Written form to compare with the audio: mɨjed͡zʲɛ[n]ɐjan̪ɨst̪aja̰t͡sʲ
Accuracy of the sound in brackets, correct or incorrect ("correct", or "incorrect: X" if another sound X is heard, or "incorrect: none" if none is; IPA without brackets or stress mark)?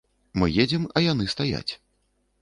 incorrect: m